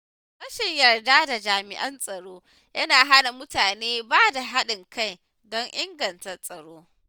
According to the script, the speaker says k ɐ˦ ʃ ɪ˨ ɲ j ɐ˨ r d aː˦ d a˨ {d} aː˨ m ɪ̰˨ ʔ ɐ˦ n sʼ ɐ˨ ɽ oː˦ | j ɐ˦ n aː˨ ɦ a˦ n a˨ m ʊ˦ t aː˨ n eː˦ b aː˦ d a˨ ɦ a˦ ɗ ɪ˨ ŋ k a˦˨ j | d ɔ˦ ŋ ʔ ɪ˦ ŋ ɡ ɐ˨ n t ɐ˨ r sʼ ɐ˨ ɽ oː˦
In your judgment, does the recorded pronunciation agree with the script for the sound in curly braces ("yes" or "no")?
no